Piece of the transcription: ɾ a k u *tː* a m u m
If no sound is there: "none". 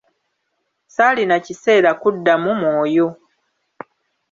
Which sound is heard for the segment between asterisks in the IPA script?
dː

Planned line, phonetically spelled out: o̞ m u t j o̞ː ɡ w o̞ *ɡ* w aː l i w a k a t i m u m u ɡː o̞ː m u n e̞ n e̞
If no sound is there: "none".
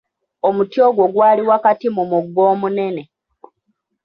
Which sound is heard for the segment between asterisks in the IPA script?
ɡ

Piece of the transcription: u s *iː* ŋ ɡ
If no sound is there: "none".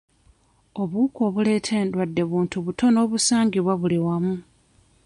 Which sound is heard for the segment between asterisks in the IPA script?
aː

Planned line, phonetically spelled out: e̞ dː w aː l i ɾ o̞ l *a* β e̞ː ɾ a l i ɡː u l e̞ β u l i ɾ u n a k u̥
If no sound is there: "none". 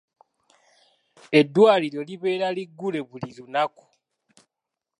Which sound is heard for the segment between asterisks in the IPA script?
i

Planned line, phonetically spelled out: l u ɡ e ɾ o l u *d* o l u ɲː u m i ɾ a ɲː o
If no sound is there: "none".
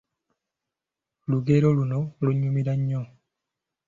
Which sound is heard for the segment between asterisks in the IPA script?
n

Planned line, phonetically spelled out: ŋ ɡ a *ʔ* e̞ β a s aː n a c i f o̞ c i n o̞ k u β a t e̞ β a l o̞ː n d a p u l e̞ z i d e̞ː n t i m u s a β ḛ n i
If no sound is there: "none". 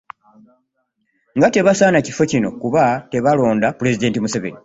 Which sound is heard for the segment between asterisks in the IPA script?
t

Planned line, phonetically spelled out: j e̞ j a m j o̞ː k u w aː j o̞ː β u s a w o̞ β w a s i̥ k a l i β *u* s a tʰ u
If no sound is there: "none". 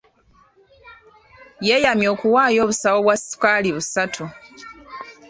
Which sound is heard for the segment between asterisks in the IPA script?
u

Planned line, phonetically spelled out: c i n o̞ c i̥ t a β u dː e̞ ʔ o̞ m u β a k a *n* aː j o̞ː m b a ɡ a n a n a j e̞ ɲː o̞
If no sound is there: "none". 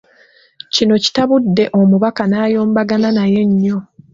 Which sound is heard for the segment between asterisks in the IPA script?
n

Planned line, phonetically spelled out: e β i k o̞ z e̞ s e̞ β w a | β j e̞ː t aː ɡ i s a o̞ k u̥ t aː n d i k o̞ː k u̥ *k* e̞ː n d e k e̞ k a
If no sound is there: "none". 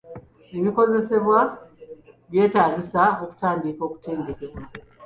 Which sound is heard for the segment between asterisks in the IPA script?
t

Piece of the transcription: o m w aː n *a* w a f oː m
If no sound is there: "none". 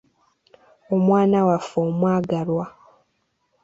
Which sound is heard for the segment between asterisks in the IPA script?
a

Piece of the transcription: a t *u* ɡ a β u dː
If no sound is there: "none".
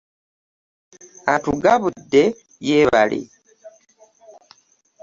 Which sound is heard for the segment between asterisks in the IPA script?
u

